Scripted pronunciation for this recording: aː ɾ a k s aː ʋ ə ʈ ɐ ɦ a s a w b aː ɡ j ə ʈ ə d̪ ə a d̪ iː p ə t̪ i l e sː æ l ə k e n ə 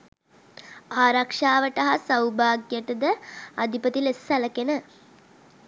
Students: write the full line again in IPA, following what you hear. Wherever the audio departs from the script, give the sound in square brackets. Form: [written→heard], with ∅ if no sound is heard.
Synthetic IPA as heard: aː ɾ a k [s→ʂ] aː ʋ ə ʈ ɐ ɦ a s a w b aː ɡ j ə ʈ ə d̪ ə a d̪ [iː→i] p ə t̪ i l e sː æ l ə k e n ə